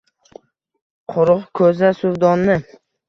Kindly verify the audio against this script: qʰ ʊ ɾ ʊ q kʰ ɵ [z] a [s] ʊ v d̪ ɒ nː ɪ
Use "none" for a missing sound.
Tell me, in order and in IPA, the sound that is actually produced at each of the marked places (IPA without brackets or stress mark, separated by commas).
z, s